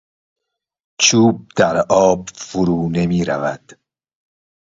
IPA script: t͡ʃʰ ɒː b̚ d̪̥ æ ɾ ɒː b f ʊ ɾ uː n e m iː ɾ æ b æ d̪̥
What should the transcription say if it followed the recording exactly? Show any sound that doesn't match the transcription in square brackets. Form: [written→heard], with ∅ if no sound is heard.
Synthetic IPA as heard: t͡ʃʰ [ɒː→uː] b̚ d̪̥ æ ɾ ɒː b f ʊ ɾ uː n e m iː ɾ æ [b→v] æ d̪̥